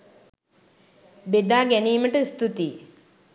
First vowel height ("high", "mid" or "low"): mid